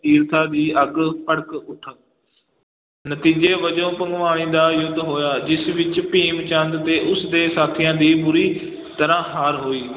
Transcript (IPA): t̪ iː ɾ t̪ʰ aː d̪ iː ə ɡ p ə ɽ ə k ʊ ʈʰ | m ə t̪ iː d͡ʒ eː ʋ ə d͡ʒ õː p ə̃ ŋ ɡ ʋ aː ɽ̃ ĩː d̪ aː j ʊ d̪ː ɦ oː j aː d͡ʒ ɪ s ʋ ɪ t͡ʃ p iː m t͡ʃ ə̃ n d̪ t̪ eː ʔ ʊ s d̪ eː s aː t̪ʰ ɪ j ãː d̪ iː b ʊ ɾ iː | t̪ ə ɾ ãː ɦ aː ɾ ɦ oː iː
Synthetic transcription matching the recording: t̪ iː ɾ t̪ʰ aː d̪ iː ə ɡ p ə ɽ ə k ʊ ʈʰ | n ə t̪ iː d͡ʒ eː ʋ ə d͡ʒ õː p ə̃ ŋ ɡ ʋ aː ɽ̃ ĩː d̪ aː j ʊ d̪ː ɦ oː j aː d͡ʒ ɪ s ʋ ɪ t͡ʃ p iː m t͡ʃ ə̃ n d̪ t̪ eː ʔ ʊ s d̪ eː s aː t̪ʰ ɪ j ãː d̪ iː b ʊ ɾ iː | t̪ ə ɾ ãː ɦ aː ɾ ɦ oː iː